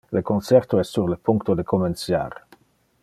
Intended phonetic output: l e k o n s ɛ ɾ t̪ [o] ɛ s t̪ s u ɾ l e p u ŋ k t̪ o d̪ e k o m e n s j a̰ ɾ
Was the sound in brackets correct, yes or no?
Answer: yes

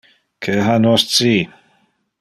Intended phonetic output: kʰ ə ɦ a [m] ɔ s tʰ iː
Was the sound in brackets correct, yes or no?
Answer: no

